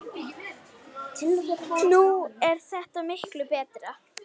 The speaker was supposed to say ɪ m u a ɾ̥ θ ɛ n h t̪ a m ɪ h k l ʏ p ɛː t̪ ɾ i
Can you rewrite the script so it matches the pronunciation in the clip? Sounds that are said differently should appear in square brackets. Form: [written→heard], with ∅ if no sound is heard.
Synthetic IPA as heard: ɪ [m→n] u [a→ɛ] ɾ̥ θ ɛ [n→∅] h t̪ a m ɪ h k l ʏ p ɛː t̪ ɾ [i→a]